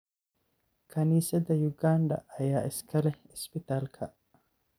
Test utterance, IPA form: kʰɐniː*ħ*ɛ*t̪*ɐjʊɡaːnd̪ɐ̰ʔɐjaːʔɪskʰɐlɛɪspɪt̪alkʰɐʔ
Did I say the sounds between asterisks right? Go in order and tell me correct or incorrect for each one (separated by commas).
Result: incorrect, incorrect